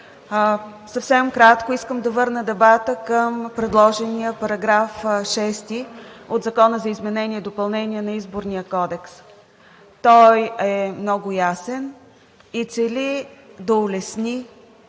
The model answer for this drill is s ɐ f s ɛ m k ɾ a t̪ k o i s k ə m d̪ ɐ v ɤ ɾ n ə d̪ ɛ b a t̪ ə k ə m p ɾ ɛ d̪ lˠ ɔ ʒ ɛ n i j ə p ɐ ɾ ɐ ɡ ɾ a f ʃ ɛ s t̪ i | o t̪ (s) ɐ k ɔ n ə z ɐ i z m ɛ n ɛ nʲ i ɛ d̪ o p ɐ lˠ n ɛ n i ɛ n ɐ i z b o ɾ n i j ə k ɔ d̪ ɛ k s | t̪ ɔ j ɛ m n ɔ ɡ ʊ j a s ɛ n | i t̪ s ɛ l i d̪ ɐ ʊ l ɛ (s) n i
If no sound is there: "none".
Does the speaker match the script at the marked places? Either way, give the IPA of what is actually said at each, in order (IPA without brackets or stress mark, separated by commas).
z, s